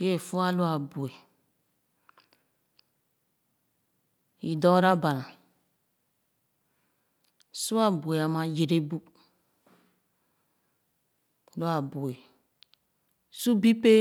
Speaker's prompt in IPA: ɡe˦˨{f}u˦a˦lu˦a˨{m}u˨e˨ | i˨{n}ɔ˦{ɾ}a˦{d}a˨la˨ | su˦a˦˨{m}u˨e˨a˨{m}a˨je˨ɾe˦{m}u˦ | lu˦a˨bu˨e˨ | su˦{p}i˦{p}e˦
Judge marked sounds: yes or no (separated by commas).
yes, no, no, yes, no, no, yes, no, no, yes